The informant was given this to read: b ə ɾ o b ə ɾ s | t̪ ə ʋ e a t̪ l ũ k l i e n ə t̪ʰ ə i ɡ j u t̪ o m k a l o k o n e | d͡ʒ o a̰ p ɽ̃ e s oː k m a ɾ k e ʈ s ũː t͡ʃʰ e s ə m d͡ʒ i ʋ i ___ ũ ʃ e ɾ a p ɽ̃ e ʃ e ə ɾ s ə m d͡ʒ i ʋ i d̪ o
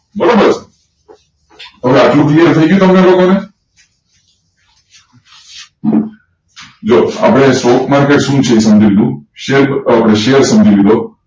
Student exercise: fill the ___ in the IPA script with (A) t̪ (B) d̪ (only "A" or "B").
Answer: B